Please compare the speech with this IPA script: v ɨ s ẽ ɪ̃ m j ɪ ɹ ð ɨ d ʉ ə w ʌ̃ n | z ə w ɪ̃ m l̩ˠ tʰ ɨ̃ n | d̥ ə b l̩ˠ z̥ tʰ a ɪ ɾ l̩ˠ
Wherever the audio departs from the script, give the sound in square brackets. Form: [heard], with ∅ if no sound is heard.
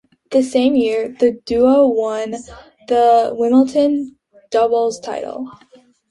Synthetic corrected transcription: [ð] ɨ s ẽ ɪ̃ m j ɪ ɹ ð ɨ d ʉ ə w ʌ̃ n | [ð] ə w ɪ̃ m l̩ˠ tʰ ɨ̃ n | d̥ [ʌ] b l̩ˠ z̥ tʰ a ɪ ɾ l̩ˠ